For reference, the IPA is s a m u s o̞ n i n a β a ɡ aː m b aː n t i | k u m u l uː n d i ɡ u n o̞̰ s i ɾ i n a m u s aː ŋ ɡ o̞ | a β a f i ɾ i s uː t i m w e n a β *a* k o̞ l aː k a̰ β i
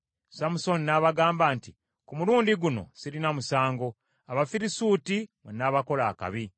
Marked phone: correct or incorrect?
correct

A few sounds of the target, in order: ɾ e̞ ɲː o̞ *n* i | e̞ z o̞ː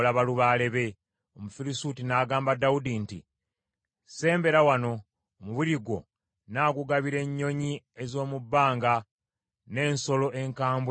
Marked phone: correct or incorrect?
incorrect: ɲ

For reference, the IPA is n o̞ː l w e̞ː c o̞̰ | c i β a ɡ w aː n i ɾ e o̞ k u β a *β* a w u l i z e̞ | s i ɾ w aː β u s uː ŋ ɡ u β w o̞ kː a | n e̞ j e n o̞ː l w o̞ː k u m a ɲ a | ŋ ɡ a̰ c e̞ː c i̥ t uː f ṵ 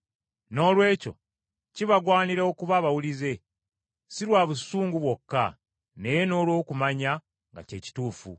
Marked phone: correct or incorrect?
correct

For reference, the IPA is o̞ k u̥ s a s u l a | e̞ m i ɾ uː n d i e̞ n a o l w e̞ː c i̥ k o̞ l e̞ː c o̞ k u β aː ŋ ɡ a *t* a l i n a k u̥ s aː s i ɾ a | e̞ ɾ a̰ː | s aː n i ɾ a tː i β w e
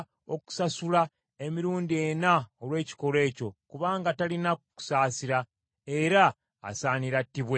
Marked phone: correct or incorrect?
correct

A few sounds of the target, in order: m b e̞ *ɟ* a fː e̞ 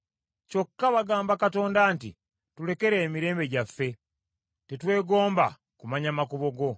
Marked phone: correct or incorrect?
correct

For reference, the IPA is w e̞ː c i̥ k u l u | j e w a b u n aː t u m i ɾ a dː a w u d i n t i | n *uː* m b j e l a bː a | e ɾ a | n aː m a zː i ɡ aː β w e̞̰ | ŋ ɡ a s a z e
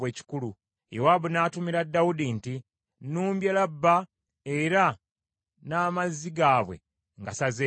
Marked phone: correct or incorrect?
correct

